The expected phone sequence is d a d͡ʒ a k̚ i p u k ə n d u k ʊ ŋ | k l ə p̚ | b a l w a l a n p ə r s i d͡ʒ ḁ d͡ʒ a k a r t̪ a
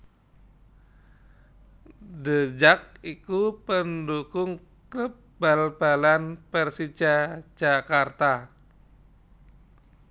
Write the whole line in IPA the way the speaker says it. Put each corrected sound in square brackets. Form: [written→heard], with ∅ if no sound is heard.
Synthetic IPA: d [a→ə] d͡ʒ a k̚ i [p→k] u [k→p] ə n d u k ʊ ŋ | k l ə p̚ | b a l [w→b] a l a n p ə r s i d͡ʒ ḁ d͡ʒ a k a r t̪ a